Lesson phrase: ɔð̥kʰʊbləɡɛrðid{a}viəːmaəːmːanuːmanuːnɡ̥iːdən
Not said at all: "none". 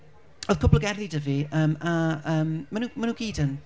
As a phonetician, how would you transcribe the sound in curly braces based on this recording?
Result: ə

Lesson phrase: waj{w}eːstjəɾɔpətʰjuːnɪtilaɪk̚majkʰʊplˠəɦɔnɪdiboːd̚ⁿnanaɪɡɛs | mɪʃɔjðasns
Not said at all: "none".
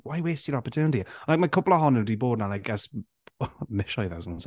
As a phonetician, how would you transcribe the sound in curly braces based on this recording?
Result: w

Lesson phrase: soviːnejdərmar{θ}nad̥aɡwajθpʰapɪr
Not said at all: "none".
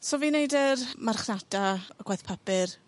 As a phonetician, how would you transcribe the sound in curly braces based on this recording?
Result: χ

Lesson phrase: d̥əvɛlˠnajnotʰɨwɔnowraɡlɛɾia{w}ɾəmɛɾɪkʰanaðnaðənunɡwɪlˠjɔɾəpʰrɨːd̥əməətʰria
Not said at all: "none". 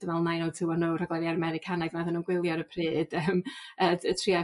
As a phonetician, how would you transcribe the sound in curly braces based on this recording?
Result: none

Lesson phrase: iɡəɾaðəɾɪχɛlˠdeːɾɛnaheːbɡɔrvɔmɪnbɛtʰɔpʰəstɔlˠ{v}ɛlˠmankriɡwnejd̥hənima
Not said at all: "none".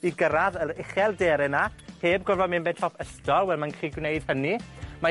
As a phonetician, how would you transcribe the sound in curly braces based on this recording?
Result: w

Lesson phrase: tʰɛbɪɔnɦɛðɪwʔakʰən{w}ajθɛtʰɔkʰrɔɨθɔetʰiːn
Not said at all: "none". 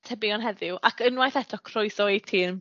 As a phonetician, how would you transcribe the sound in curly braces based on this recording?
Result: w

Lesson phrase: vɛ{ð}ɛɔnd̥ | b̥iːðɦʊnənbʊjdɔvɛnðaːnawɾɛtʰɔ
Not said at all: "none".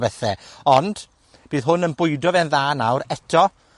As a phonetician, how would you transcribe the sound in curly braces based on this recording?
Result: θ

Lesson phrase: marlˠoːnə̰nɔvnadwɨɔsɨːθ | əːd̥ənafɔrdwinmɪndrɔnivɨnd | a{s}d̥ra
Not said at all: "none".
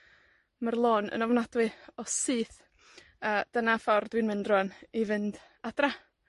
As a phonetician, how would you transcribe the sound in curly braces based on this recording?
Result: none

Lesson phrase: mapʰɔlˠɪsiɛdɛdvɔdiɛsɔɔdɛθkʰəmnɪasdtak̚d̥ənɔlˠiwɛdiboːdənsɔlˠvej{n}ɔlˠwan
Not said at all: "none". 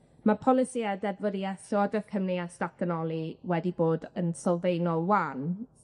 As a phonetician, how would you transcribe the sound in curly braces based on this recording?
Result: n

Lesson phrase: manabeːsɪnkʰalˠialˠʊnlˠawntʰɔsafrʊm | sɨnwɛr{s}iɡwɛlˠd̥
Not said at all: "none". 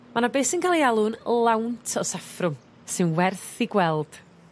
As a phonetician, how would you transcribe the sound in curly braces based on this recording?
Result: θ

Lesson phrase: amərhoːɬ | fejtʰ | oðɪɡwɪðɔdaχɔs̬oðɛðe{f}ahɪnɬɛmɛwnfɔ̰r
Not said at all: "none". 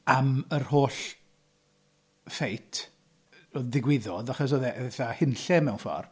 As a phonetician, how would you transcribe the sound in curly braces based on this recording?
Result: θ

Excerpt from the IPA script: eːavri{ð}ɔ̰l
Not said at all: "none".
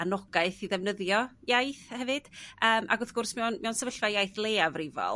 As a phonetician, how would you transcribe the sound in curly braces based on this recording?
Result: v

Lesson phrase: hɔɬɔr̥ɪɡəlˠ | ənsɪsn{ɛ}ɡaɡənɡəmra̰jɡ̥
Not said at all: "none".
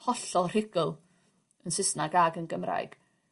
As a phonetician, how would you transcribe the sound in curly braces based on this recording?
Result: a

